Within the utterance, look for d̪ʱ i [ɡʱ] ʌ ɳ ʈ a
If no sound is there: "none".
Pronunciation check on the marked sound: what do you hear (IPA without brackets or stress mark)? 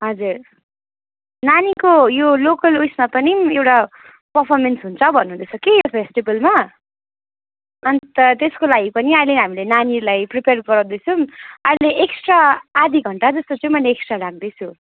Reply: ɡʱ